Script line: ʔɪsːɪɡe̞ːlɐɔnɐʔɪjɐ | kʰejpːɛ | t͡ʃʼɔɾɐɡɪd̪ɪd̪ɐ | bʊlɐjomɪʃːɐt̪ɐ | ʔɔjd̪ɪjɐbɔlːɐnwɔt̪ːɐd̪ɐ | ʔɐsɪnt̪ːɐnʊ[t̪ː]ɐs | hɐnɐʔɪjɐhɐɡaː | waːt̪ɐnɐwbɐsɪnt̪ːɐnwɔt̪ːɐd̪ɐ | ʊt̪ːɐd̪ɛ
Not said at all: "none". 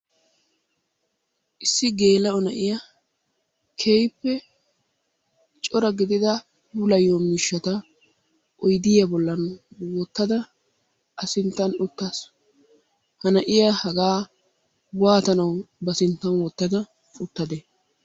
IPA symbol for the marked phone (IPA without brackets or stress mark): t̪ː